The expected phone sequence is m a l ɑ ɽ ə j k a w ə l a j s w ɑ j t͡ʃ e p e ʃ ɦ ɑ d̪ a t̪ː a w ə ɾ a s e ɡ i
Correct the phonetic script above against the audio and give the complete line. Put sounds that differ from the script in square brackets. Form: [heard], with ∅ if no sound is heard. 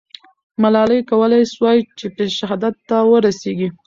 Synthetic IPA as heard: m a l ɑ [l] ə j k a w ə l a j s w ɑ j t͡ʃ e p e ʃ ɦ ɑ d̪ a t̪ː a w ə ɾ a s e ɡ i